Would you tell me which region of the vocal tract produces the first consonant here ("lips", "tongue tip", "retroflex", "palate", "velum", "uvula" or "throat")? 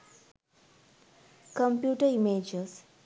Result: velum